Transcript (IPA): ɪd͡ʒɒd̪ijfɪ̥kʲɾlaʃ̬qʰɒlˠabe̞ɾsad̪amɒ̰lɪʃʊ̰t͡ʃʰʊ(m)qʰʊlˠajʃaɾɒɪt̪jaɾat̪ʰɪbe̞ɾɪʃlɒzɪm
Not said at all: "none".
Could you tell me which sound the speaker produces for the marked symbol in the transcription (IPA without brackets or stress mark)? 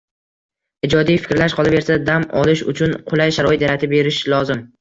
n